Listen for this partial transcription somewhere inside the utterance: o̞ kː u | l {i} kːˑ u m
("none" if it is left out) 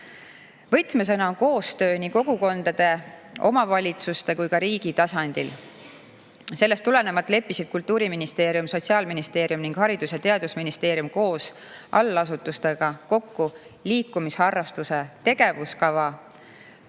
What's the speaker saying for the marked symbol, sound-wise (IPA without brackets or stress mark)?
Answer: iː